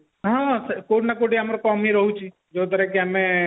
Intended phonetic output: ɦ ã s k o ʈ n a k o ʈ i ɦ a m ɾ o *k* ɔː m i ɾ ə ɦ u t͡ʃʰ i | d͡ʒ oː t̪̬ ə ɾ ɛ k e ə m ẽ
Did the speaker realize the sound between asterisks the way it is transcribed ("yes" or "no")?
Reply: yes